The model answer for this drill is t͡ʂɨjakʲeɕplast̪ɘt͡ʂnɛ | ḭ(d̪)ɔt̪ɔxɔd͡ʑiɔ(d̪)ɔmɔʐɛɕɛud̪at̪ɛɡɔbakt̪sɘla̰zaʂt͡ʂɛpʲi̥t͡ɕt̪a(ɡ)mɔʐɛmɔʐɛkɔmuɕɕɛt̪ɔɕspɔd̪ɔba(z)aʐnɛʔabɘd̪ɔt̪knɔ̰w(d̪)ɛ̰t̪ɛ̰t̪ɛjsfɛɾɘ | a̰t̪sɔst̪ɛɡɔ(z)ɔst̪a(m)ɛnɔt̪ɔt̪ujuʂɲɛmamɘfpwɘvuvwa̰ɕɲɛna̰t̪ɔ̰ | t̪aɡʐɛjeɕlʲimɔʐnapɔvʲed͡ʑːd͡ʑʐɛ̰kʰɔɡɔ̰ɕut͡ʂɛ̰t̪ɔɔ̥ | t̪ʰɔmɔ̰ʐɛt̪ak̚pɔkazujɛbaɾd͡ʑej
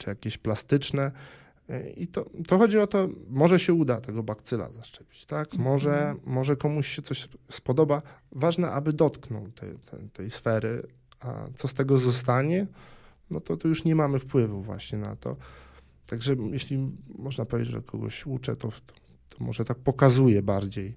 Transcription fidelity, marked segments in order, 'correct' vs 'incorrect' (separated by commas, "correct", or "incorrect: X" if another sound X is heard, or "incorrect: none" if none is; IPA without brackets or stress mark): incorrect: t̪, incorrect: t̪, incorrect: k, incorrect: v, incorrect: t̪, correct, incorrect: ɲ